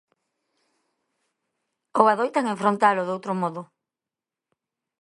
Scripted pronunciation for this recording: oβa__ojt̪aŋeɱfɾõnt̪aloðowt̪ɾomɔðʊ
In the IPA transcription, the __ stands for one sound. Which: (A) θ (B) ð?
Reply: B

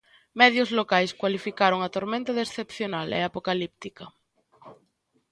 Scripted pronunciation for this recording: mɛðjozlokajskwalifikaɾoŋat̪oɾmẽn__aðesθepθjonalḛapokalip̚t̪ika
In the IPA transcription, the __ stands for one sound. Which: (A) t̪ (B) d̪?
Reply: A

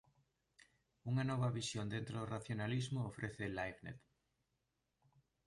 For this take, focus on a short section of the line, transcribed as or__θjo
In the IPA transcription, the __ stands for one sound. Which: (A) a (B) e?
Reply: A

